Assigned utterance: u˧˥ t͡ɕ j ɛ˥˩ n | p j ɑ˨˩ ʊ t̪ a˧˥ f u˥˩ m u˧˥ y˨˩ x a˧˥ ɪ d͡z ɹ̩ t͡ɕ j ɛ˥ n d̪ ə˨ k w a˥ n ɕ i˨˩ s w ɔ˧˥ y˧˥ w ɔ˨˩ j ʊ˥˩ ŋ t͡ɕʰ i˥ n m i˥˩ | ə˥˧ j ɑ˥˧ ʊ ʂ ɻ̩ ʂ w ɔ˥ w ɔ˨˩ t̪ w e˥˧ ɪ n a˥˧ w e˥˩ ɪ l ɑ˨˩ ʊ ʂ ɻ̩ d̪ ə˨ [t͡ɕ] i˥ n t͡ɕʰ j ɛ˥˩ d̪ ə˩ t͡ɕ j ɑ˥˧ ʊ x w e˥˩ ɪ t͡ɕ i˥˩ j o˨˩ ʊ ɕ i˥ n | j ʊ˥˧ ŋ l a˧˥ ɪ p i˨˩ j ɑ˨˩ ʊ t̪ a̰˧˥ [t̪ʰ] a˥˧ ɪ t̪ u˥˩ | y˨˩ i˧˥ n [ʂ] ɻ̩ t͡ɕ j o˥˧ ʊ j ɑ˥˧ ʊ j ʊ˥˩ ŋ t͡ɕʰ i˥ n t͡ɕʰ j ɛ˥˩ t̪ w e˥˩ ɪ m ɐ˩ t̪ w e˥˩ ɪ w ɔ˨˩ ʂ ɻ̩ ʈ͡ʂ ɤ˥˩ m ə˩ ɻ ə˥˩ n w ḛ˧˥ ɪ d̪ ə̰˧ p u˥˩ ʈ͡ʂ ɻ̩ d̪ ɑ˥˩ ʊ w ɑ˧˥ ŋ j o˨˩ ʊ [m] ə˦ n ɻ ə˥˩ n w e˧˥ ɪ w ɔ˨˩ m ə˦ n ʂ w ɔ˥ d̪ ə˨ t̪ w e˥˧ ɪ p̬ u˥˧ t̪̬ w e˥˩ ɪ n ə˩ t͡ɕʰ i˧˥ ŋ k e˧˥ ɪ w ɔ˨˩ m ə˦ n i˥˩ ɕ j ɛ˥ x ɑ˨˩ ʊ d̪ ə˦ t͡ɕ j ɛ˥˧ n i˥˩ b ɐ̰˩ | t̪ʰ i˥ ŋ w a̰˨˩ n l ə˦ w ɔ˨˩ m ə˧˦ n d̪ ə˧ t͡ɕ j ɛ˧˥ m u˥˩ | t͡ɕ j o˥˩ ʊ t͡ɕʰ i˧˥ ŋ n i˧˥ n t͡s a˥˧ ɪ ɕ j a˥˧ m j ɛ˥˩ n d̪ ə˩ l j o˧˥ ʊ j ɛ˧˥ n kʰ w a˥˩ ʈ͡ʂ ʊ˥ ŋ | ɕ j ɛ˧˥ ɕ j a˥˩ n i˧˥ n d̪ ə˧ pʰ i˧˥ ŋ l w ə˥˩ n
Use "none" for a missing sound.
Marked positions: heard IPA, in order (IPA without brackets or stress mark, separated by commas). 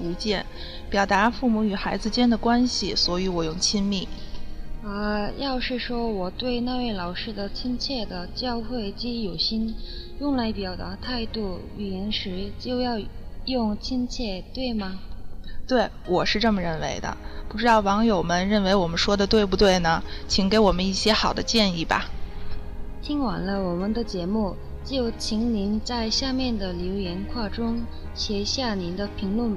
t͡ɕʰ, t̪ʰ, ʂ, m